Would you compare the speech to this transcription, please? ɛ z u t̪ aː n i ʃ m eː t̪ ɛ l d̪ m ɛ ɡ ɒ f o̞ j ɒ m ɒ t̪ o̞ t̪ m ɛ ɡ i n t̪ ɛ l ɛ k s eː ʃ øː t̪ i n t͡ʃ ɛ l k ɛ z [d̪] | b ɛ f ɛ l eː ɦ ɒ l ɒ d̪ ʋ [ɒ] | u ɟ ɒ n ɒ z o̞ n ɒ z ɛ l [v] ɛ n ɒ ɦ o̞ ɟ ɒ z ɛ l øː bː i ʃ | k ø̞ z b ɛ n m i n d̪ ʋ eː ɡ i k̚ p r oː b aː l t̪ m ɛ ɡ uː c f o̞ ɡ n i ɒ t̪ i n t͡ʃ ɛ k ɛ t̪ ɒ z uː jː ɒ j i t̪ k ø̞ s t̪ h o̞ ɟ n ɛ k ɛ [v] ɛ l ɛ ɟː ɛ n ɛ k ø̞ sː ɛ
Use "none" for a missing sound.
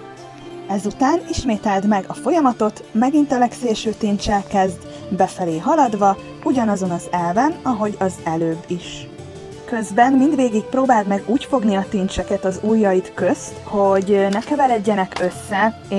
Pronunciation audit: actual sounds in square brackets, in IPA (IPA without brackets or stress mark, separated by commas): d̪, ɒ, v, v